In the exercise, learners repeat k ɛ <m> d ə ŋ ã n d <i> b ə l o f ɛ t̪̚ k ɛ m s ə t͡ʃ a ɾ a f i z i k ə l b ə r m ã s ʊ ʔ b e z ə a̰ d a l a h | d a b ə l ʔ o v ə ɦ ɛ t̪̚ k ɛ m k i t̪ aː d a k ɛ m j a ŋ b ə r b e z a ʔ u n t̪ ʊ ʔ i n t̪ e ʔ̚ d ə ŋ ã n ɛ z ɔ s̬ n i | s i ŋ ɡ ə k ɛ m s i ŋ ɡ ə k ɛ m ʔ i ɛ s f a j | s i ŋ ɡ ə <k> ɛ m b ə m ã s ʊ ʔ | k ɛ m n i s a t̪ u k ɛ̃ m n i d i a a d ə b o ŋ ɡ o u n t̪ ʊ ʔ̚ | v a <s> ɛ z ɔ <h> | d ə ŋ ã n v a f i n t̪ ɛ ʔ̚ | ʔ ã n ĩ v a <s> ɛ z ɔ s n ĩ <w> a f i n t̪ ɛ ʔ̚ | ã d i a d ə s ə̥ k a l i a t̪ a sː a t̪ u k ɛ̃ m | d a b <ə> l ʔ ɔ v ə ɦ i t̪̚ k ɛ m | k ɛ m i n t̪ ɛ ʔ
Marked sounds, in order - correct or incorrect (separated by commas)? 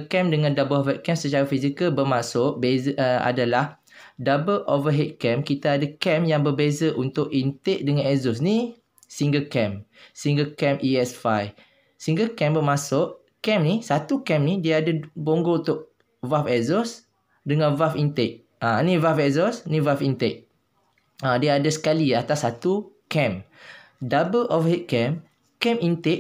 correct, incorrect, correct, incorrect, incorrect, incorrect, incorrect, correct